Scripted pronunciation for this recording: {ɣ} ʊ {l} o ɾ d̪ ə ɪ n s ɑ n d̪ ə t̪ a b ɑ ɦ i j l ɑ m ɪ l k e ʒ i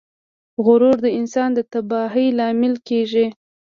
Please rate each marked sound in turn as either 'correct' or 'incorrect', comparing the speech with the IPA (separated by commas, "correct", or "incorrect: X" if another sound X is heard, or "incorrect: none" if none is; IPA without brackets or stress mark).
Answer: correct, incorrect: ɾ